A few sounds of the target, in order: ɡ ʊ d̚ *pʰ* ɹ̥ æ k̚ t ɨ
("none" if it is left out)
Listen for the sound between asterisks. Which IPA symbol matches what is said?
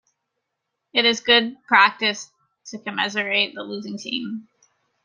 pʰ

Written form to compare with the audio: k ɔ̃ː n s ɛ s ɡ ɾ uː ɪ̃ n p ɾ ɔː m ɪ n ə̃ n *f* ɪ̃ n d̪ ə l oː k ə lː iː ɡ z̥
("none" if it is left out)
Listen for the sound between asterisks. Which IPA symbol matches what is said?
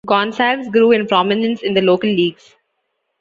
s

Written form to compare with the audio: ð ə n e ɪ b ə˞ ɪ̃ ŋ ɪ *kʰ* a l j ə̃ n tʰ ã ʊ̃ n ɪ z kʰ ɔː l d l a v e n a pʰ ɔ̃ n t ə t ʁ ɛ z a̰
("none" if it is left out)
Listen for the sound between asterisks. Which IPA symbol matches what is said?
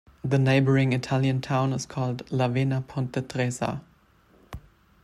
tʰ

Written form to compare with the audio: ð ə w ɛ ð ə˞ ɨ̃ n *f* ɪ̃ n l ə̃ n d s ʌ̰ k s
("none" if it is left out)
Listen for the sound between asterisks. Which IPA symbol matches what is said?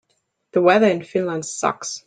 f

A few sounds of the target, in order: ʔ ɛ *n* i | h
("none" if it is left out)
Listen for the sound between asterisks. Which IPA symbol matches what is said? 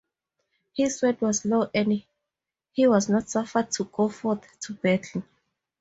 n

